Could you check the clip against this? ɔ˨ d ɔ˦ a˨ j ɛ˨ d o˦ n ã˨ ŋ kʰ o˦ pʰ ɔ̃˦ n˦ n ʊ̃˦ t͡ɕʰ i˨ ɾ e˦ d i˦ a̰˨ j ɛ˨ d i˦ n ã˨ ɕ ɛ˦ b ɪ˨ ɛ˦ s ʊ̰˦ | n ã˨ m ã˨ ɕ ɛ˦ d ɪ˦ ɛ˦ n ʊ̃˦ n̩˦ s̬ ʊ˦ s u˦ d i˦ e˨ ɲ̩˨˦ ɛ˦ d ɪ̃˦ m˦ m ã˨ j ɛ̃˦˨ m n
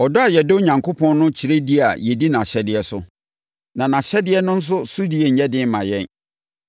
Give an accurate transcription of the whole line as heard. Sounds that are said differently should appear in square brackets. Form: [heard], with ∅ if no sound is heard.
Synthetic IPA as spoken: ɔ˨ d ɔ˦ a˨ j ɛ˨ d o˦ [ɲ] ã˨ ŋ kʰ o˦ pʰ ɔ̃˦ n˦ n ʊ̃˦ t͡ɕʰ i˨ ɾ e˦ d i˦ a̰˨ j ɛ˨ d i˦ n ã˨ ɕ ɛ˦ [d] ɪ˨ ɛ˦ s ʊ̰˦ | n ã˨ [n] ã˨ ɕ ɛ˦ d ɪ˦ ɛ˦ n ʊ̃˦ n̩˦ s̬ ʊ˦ s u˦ d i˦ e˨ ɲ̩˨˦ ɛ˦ d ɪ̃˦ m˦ m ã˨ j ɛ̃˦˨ [∅] n

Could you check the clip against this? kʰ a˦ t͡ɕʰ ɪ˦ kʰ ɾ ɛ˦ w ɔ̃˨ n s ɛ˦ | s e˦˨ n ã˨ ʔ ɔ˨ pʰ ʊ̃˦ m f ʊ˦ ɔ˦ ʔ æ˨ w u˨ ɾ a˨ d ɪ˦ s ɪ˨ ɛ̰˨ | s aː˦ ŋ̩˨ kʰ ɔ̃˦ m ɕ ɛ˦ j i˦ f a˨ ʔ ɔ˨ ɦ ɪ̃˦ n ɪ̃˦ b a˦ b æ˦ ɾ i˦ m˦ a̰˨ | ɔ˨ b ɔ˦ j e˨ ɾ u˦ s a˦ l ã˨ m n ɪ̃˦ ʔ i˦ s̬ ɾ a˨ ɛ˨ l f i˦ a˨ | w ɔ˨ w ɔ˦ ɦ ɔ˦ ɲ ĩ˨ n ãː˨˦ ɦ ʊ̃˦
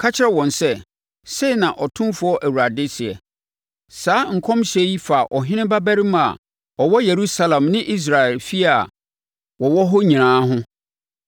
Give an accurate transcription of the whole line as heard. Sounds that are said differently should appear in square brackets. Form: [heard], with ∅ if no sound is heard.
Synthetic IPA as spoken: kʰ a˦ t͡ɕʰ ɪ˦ [∅] ɾ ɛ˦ w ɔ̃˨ n s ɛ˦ | s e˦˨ n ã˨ ʔ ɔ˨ [tʰ] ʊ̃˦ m f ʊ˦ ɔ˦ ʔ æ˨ w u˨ ɾ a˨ d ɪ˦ s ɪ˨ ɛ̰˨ | s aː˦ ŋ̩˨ kʰ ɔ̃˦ m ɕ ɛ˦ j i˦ f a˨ ʔ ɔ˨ ɦ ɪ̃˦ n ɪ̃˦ b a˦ b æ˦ ɾ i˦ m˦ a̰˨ | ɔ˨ [w] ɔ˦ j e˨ ɾ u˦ s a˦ l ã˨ m n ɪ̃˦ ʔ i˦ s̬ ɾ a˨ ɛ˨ l f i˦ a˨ | w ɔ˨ w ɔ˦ ɦ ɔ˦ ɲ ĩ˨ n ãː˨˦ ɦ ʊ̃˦

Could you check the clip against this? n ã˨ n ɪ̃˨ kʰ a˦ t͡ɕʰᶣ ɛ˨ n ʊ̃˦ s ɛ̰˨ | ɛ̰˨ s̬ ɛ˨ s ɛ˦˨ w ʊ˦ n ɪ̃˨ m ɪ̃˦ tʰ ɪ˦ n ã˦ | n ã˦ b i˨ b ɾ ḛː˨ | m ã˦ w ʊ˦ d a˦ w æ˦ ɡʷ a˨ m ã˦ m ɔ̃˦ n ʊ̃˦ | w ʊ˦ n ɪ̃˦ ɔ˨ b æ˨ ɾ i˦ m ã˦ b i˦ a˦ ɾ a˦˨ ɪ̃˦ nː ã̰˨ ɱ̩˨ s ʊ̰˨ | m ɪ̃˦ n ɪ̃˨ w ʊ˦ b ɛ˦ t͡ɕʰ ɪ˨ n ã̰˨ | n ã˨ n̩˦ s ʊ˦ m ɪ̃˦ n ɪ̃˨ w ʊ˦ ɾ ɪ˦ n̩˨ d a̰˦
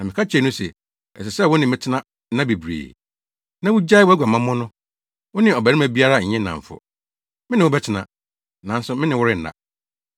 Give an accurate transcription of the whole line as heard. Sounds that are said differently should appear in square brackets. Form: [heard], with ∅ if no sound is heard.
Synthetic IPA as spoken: n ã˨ [m] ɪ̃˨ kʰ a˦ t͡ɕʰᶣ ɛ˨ n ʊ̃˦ s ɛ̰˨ | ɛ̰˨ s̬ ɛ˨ s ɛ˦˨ w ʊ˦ n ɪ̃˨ m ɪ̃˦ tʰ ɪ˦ n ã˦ | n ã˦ b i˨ b ɾ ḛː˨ | [n] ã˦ w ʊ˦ [d͡ʑ] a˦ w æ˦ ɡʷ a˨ m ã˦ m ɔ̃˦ n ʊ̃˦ | w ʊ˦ n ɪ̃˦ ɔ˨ b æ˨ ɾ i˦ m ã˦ b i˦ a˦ ɾ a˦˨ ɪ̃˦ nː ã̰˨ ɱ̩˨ [f] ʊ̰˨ | m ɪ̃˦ n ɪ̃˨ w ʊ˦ b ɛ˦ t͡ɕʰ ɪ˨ n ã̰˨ | n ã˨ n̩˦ s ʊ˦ m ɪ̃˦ n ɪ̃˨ w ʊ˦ ɾ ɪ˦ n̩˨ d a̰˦

